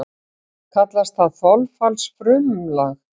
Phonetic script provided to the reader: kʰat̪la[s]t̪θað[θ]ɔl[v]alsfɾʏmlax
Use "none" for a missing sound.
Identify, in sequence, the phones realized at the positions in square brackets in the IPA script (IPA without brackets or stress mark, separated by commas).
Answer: s, θ, f